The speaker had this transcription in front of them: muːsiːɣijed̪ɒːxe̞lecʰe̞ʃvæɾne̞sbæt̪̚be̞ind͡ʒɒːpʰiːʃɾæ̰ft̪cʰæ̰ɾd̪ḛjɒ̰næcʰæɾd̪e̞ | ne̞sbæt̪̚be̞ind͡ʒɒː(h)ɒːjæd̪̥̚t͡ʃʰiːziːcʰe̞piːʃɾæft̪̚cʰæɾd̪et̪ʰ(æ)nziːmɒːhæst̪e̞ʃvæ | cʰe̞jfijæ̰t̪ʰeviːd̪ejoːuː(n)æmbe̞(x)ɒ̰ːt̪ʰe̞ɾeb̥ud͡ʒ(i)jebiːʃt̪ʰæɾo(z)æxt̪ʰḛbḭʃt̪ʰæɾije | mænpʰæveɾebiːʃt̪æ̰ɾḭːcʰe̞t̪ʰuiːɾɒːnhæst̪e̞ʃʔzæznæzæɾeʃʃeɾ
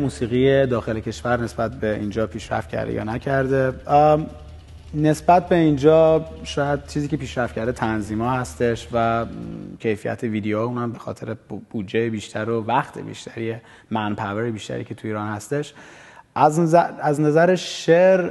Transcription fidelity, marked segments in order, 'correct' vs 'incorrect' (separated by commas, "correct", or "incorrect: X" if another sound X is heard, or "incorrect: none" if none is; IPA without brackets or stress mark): incorrect: ʃ, correct, correct, correct, incorrect: e, incorrect: v